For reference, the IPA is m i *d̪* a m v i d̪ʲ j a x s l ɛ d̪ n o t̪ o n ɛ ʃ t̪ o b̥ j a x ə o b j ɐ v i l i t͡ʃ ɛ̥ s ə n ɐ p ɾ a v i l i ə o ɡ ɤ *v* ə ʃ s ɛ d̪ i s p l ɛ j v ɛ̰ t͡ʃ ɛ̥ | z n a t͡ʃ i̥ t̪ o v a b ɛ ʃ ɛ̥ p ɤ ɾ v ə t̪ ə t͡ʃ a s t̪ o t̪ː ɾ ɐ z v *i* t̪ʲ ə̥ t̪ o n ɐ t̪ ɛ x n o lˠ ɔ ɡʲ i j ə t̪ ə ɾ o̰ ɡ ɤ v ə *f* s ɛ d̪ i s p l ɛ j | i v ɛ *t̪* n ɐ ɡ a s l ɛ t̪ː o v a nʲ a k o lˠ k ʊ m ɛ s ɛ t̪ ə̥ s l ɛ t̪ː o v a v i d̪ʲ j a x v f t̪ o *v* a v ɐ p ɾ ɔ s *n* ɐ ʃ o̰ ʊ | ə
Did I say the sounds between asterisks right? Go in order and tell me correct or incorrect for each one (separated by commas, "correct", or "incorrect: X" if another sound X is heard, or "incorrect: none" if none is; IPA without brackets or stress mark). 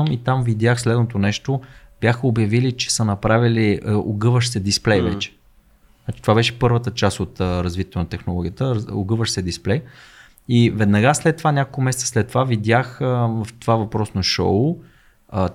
incorrect: t̪, correct, correct, incorrect: ʃ, incorrect: d̪, correct, correct